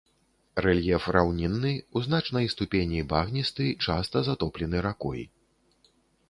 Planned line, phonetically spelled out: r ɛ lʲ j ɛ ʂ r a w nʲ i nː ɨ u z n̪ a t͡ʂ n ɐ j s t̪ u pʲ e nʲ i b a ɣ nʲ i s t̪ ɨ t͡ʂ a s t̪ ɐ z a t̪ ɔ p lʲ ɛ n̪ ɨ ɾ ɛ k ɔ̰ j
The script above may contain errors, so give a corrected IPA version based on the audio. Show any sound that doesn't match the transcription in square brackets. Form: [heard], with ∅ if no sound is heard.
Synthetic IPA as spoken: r ɛ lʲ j ɛ [f] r a w nʲ i nː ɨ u z n̪ a t͡ʂ n ɐ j s t̪ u pʲ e nʲ i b a ɣ nʲ i s t̪ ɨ t͡ʂ a s t̪ ɐ z a t̪ ɔ p lʲ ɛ n̪ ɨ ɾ [a] k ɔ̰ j